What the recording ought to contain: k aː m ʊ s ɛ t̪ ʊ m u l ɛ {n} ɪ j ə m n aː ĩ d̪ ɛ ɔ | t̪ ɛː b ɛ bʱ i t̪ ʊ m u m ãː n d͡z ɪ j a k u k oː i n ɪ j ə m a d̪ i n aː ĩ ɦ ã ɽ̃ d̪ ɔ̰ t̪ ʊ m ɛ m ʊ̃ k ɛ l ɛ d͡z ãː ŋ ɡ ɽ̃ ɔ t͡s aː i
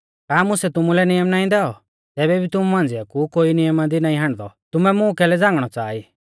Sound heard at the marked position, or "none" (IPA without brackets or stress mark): n